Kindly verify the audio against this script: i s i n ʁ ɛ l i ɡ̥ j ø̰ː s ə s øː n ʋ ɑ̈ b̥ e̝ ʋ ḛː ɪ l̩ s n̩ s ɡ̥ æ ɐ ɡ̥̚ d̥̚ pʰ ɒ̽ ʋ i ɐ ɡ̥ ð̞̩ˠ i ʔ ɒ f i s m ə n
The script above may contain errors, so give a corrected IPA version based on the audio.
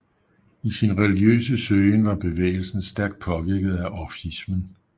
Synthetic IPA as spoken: i s i n ʁ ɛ l i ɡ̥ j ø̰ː s ə s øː n ʋ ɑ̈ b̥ e̝ ʋ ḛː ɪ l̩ s n̩ s d̥ æ ɐ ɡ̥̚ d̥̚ pʰ ɒ̽ ʋ i ɐ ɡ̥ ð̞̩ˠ æ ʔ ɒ f i s m ə n